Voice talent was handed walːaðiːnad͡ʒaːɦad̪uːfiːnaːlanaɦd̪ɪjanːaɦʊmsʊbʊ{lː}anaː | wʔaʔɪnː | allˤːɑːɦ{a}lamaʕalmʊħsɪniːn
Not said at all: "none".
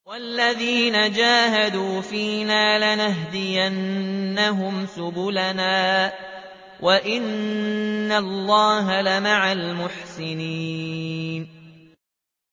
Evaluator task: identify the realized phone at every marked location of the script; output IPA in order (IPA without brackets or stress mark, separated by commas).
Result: l, a